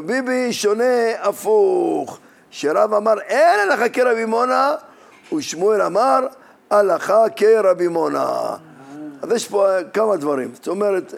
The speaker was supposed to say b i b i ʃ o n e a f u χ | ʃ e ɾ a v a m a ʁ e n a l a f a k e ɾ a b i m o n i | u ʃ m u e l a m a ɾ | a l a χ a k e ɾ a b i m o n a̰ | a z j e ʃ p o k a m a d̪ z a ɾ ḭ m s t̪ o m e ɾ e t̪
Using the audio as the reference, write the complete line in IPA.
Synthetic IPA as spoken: b i b i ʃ o n e a f u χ | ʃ e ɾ a v a m a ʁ e n a l a χ a k e ɾ a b i m o n a | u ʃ m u e l a m a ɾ | a l a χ a k e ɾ a b i m o n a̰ | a z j e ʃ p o k a m a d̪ v a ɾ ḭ m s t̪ o m e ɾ e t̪